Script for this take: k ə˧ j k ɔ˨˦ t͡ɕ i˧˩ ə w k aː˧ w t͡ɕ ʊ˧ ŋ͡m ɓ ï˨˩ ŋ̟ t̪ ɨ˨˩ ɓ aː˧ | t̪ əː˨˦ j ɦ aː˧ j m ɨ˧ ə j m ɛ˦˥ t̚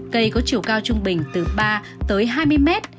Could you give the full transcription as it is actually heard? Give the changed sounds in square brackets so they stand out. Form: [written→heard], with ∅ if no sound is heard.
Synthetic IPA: k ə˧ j k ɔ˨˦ t͡ɕ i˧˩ ə w k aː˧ w t͡ɕ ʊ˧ ŋ͡m ɓ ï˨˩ ŋ̟ t̪ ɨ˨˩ ɓ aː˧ | t̪ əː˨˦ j ɦ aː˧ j m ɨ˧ ə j m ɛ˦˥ t̚